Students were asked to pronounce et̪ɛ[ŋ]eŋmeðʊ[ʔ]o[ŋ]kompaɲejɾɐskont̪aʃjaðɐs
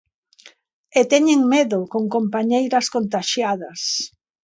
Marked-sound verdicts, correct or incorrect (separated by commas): incorrect, incorrect, correct